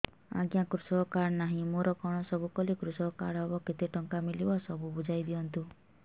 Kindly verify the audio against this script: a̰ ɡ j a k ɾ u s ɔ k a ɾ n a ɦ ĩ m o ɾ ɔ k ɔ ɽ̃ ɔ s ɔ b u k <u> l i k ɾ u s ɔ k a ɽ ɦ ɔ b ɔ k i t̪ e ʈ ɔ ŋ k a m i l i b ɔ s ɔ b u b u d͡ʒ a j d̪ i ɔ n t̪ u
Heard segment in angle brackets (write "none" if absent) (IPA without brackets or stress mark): ɔ